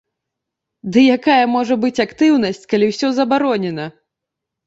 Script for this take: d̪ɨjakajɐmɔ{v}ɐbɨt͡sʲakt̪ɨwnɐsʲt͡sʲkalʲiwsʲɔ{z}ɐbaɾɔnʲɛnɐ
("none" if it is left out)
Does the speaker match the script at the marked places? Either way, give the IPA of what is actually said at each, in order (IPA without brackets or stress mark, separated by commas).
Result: ʐ, z